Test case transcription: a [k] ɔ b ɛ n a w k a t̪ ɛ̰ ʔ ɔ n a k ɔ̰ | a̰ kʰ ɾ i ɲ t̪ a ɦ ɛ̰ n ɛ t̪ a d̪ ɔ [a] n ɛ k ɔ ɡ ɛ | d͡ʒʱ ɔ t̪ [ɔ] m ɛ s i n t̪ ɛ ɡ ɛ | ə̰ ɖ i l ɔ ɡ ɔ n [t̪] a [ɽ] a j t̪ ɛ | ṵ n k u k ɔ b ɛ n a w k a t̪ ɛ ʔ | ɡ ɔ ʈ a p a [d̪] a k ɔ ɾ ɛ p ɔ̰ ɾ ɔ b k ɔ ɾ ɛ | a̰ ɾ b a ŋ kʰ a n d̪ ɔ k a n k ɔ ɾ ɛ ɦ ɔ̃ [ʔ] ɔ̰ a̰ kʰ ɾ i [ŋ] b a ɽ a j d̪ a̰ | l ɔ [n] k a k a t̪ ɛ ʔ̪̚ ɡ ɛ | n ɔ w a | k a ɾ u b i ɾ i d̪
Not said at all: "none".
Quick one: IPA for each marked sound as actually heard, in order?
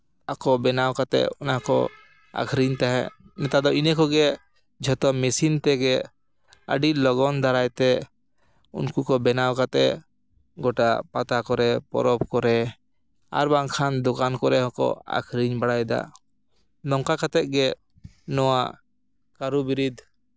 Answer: k, i, ɔ, d̪, ɾ, t̪, k, ɲ, ŋ

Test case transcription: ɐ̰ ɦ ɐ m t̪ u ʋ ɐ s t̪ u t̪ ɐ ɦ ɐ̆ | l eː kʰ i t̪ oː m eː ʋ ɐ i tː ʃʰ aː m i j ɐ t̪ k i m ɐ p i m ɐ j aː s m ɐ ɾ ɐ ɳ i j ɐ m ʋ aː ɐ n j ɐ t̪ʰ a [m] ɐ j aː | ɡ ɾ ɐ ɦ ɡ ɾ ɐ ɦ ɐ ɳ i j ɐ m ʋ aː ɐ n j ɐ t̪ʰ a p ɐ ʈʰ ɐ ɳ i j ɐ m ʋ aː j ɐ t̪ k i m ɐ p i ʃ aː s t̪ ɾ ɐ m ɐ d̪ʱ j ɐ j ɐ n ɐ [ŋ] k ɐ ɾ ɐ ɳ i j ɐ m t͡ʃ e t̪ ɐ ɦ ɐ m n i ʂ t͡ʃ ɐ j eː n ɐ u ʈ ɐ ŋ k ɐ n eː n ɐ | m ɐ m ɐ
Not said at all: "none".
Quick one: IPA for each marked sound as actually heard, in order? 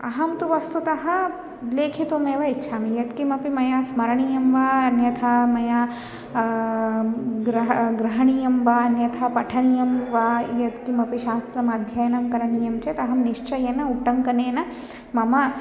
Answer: m, m

